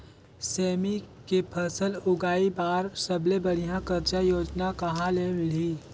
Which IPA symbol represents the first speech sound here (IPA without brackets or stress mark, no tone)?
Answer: s